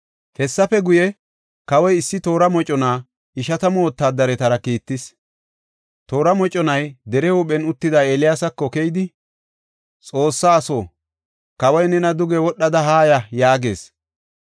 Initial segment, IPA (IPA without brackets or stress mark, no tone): h